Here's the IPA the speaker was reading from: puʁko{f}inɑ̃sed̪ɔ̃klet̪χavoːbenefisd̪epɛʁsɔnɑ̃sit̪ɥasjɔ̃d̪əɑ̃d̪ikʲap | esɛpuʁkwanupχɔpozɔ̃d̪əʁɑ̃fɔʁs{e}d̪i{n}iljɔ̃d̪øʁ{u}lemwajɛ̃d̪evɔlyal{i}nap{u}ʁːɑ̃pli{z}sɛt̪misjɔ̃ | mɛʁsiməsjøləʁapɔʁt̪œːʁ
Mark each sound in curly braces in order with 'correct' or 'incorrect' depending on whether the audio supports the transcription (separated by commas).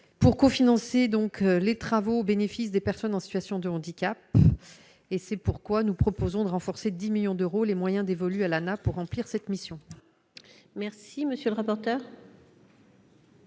correct, correct, incorrect, incorrect, incorrect, correct, incorrect